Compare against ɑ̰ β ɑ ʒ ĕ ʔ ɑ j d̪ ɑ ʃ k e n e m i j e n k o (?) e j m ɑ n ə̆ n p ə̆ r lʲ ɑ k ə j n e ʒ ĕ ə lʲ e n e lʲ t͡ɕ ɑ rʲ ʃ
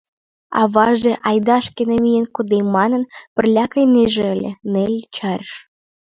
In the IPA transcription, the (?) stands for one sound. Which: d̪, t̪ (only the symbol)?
d̪